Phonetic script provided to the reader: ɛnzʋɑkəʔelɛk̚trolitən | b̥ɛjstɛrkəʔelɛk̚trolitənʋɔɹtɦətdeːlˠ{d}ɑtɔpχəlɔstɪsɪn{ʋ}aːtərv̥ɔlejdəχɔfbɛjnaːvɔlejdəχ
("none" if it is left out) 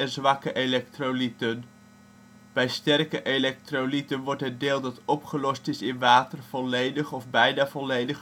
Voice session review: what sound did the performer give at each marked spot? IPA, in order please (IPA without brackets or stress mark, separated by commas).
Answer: d, ʋ